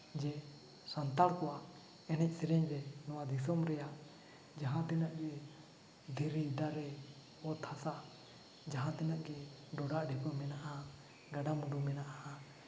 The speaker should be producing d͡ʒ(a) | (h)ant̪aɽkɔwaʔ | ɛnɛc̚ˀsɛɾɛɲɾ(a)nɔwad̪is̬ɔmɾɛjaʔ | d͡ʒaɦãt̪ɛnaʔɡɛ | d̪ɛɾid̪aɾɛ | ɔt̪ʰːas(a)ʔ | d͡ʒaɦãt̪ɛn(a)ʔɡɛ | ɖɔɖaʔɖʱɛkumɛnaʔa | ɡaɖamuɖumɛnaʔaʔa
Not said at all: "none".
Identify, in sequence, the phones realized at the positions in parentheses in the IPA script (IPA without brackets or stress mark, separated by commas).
ɛ, s, ɛ, a, a